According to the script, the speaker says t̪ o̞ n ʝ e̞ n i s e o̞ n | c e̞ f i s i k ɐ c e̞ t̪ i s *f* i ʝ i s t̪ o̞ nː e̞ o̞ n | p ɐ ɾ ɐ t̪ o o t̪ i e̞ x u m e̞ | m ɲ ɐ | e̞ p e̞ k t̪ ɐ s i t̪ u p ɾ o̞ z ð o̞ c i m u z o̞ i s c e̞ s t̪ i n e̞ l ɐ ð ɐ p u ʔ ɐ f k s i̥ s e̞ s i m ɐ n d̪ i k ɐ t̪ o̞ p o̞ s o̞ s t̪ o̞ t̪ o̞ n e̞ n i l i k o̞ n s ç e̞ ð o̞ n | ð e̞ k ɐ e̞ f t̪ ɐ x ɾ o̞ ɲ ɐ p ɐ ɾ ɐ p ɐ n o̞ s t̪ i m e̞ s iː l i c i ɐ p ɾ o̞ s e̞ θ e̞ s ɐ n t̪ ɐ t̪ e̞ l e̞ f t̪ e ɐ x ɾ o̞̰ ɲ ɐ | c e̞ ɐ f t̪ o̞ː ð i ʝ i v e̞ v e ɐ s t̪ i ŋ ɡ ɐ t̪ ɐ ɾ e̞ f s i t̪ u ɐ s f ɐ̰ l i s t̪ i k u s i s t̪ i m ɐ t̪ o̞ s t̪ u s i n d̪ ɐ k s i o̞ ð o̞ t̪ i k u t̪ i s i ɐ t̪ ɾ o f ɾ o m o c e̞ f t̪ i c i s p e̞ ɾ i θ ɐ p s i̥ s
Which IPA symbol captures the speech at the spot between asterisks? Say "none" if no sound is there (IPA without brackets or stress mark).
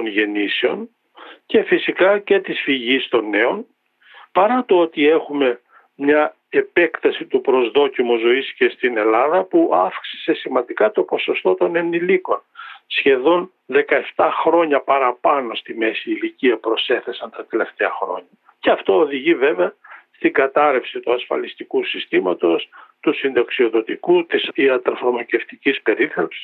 f